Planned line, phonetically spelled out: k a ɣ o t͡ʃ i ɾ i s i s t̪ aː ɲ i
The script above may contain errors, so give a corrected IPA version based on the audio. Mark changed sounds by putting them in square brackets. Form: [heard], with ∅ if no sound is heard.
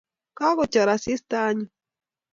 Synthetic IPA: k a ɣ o t͡ʃ [a] ɾ [a] s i s t̪ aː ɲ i